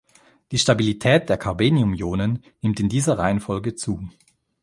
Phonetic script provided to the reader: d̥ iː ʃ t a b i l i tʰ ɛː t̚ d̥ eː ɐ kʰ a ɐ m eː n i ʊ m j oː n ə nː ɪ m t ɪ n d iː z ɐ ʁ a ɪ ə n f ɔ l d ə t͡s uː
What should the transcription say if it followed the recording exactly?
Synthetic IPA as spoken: d̥ iː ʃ t a b i l i tʰ ɛː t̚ d̥ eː ɐ kʰ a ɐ b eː n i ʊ m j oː n ə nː ɪ m t ɪ n d iː z ɐ ʁ a ɪ ə n f ɔ l ɡ ə t͡s uː